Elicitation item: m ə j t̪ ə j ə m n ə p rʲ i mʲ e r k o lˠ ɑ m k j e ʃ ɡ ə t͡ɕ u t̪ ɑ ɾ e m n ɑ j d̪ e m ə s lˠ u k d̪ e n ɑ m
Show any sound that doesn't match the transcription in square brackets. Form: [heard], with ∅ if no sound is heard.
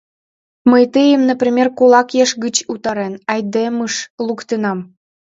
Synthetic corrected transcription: m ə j t̪ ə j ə m n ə p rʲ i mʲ e r k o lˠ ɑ [∅] k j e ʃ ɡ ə t͡ɕ u t̪ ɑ ɾ e [∅] n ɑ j d̪ e m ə [ʃ] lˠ u k [t̪] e n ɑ m